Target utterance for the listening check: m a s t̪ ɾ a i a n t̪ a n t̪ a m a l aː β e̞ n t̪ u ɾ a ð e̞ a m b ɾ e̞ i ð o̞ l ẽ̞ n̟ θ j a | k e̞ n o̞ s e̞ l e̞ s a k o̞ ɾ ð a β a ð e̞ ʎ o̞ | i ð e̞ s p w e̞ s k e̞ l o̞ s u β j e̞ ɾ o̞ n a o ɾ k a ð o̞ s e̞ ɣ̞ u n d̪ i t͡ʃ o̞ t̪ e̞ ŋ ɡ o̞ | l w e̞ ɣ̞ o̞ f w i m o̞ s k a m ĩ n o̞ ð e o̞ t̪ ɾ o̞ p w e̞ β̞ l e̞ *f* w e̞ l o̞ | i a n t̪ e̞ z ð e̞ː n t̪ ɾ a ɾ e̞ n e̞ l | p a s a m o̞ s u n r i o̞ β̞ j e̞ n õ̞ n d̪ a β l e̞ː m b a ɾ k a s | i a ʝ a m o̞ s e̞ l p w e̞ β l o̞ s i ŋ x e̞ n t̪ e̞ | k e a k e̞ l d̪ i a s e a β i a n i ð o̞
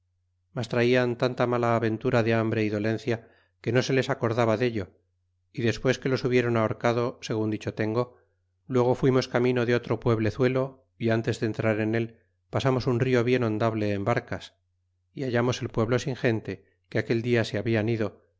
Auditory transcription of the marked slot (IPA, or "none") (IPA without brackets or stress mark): θ